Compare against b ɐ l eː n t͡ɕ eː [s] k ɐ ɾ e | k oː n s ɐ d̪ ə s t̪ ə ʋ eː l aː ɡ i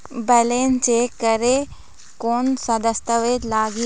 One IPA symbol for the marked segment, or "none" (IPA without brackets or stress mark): none